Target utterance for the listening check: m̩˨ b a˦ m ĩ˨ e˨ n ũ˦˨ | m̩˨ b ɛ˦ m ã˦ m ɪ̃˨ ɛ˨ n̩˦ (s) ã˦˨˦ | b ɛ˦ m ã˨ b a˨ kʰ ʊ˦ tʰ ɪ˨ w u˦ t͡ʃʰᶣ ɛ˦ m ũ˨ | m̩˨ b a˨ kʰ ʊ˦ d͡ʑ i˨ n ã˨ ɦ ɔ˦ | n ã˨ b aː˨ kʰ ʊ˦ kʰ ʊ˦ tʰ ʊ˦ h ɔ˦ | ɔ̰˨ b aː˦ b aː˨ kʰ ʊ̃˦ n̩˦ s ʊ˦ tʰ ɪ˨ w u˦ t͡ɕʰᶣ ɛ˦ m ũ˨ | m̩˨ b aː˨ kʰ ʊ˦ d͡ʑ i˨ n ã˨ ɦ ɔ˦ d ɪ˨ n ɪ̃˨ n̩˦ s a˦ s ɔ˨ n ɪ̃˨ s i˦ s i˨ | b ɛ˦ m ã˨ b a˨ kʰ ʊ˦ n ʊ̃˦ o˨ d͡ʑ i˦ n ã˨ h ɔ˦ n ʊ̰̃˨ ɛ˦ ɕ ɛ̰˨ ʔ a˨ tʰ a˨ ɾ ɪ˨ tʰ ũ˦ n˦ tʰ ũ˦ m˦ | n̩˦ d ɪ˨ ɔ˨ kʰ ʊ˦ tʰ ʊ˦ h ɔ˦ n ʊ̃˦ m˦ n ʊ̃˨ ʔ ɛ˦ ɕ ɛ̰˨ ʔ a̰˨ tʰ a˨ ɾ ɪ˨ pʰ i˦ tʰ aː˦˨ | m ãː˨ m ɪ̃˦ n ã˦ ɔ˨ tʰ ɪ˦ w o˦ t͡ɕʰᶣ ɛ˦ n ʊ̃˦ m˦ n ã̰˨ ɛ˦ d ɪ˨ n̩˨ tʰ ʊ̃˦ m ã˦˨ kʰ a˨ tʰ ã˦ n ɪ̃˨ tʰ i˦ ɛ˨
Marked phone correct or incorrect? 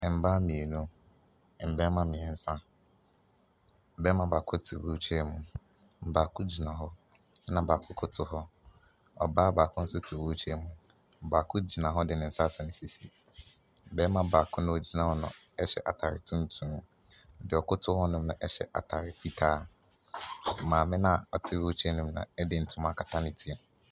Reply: correct